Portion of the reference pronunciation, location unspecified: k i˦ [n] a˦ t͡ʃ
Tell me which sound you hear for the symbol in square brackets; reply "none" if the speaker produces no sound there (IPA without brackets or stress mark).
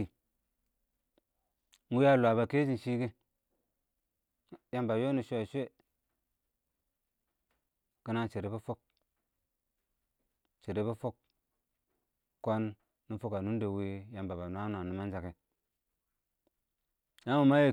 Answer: n